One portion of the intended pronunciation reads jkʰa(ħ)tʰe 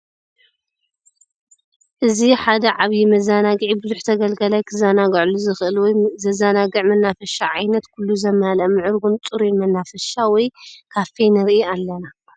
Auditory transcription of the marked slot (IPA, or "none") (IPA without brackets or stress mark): f